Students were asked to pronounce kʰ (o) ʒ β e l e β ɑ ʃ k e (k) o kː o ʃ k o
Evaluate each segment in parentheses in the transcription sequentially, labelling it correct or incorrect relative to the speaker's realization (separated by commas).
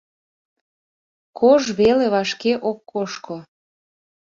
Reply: correct, incorrect